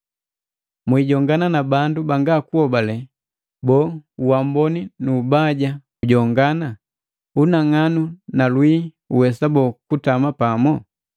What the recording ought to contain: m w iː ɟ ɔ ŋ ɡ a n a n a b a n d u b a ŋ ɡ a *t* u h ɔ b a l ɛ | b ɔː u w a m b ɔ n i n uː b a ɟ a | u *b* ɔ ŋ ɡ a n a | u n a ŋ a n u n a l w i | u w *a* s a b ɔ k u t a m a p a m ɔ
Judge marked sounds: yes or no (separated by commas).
no, no, no